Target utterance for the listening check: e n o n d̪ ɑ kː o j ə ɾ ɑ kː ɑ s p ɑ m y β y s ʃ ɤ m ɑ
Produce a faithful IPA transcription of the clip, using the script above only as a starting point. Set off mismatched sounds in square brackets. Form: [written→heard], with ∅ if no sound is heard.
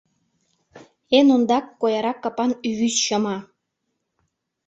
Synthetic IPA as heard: e n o n d̪ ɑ kː o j [ə→ɑ] ɾ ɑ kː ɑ [s→∅] p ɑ [m→n] y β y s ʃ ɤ m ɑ